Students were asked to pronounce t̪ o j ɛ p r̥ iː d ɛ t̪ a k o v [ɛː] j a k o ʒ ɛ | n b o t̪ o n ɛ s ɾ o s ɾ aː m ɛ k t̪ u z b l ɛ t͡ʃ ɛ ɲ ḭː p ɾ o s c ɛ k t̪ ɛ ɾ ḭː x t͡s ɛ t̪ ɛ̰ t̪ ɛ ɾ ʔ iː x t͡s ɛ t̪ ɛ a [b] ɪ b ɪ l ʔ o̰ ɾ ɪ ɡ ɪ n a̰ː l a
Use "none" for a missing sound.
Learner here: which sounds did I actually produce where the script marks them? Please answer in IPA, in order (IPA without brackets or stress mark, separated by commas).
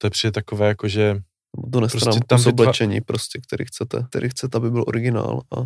ɛː, b